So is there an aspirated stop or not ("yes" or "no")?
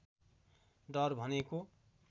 no